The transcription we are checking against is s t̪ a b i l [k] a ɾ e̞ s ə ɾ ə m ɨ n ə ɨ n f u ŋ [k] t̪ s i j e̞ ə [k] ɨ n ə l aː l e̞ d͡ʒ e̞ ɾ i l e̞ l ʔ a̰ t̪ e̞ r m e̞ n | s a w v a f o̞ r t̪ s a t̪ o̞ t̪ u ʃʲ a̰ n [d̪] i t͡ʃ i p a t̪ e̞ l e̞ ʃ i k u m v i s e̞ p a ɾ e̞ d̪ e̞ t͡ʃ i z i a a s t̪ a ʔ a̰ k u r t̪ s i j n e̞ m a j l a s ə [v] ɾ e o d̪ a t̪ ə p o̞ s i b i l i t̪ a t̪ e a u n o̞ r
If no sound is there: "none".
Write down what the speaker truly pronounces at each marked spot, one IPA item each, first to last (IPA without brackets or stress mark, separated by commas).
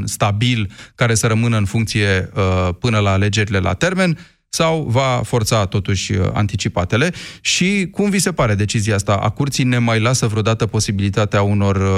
k, k, p, t̪, v